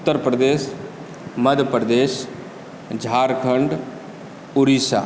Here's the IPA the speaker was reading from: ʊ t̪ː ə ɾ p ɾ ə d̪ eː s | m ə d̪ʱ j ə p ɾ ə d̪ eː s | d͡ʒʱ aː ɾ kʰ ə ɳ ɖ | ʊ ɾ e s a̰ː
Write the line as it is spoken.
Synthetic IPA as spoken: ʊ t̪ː ə ɾ p ɾ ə d̪ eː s | m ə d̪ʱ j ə p ɾ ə d̪ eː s | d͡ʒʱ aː ɾ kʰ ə ɳ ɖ | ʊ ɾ i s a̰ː